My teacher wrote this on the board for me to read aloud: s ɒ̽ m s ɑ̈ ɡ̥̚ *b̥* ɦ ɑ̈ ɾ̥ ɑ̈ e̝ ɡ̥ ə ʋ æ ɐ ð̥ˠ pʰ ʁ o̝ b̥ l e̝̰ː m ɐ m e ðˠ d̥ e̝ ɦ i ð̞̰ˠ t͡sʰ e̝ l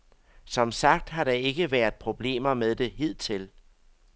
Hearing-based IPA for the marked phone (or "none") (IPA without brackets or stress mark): d̥